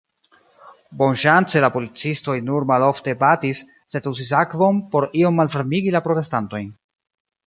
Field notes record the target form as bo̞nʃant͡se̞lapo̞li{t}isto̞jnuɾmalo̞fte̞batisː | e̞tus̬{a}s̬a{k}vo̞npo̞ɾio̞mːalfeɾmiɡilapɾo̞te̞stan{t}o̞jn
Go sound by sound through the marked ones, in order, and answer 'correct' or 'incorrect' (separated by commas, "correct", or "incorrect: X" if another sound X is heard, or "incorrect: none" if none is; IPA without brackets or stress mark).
incorrect: t͡s, incorrect: i, correct, correct